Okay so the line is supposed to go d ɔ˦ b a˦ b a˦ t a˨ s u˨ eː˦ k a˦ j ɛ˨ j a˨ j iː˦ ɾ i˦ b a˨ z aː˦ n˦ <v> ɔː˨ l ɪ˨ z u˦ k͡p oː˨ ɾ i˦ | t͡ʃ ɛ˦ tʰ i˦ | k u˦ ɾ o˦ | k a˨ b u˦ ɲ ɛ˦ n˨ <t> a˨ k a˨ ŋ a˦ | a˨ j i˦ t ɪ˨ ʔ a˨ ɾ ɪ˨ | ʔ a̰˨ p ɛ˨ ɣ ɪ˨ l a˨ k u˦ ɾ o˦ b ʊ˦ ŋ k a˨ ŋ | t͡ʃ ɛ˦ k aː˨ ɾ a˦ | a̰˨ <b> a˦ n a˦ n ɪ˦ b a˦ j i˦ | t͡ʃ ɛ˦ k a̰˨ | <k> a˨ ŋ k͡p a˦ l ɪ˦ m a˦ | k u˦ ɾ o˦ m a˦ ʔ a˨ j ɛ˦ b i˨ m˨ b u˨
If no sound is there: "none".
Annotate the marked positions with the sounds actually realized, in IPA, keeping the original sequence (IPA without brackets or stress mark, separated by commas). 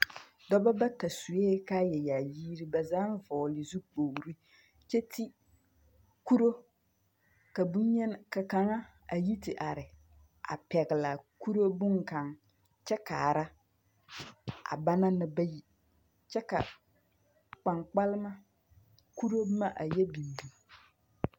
v, k, b, k͡p